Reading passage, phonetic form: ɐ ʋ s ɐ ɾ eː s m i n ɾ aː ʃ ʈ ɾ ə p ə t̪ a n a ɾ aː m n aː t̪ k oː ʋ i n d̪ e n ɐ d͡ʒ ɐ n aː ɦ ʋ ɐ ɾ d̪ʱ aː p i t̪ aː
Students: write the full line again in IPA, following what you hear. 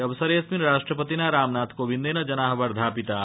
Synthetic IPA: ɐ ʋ s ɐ ɾ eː s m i n ɾ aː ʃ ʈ ɾ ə p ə t̪ i n a ɾ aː m n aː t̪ k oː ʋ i n d̪ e n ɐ d͡ʒ ɐ n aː ɦ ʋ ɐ ɾ d̪ʱ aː p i t̪ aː